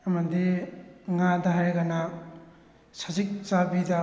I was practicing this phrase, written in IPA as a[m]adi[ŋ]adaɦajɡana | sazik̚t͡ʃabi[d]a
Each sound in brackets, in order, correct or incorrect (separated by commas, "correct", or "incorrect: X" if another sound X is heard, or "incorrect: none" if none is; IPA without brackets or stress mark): correct, correct, correct